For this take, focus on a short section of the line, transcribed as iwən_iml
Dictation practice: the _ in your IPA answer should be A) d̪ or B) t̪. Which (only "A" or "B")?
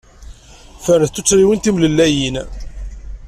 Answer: B